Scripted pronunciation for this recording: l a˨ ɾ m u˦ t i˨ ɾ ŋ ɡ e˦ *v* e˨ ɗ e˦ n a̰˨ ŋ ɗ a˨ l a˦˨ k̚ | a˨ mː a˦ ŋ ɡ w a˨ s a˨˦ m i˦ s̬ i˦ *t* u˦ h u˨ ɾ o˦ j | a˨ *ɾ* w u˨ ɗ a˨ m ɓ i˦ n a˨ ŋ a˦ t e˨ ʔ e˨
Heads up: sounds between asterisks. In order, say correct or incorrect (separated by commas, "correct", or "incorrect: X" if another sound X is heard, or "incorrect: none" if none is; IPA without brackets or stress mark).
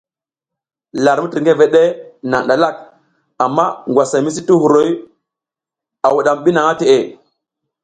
correct, correct, incorrect: none